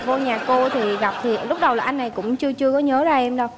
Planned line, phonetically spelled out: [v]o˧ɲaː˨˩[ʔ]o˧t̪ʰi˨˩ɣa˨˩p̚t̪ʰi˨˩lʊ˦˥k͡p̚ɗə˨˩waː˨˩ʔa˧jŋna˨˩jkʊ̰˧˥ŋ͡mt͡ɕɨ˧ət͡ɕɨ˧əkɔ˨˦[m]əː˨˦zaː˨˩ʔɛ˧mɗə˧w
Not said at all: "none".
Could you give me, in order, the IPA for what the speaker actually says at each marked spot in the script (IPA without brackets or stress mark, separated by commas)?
v, k, ɲ